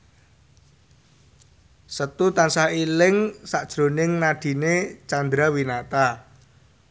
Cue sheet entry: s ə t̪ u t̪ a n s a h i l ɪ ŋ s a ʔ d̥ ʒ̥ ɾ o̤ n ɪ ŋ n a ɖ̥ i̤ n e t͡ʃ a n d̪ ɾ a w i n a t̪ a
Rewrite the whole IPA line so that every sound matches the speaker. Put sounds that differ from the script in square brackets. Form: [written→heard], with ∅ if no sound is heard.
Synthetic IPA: s ə t̪ u t̪ a n s a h i l ɪ ŋ s a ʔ d̥ ʒ̥ ɾ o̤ n ɪ ŋ n a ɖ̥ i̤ n e t͡ʃ a n d̪ ɾ a w i n a t̪ a